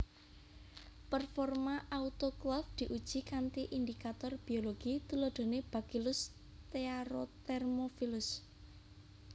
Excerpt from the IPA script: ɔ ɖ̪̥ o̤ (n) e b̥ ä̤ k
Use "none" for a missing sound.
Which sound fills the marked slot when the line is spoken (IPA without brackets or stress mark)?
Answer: n